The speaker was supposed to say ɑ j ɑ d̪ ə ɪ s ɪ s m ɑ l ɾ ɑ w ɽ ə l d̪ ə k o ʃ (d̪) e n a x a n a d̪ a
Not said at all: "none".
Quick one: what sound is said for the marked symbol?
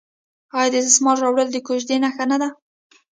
d̪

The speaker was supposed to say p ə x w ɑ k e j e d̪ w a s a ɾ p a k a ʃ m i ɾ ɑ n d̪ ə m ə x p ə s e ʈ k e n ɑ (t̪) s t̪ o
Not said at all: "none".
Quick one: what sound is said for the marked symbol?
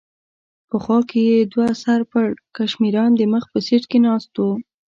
none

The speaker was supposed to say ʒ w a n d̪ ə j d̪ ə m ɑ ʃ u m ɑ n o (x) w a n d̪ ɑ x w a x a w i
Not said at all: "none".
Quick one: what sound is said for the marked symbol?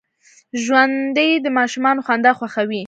x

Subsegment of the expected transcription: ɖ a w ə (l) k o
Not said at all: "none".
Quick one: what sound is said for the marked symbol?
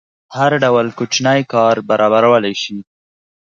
l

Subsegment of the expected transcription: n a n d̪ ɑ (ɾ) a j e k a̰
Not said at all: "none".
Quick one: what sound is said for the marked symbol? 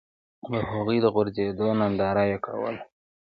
ɾ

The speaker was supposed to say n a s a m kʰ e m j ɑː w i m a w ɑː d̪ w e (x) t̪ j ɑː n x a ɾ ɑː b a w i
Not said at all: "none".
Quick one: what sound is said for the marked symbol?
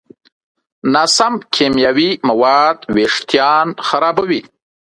ʂ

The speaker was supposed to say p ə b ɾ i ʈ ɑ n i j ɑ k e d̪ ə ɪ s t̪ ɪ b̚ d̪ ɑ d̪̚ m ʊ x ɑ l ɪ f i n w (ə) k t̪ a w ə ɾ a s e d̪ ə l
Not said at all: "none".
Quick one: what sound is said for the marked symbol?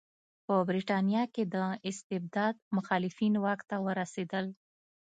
ɑ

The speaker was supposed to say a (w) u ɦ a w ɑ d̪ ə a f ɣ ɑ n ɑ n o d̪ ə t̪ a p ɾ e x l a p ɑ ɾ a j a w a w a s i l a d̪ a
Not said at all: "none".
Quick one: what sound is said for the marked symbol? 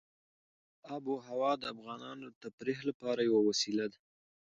b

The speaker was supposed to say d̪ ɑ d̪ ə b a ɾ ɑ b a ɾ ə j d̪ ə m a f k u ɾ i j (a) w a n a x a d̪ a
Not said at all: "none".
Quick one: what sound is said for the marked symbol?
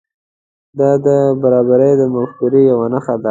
a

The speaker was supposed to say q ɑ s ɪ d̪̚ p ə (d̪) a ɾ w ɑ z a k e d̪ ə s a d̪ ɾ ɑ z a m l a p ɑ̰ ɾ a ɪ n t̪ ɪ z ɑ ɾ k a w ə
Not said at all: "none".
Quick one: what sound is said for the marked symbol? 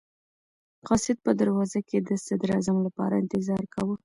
d̪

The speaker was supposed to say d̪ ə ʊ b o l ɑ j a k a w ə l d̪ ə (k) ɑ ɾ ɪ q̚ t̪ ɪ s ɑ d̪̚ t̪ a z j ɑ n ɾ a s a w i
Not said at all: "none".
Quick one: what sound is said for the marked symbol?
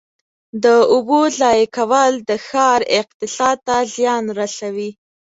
x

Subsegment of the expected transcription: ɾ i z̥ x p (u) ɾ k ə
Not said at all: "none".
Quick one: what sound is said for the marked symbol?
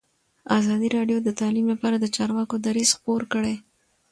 o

